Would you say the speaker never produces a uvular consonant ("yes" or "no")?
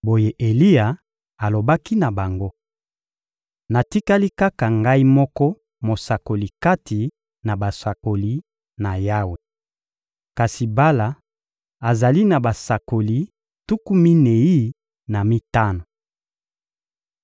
yes